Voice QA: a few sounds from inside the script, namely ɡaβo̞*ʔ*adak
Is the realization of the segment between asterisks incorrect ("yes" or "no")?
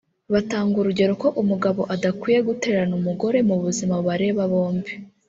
no